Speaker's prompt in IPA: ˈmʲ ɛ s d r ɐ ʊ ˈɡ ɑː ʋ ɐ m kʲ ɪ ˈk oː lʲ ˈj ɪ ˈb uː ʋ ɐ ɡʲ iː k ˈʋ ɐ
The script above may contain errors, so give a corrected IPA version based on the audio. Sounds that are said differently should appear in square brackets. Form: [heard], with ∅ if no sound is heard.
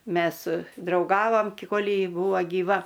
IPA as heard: ˈmʲ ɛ s d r ɐ ʊ ˈɡ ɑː ʋ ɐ m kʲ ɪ ˈk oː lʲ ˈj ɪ ˈb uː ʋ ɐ ɡʲ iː [∅] ˈʋ ɐ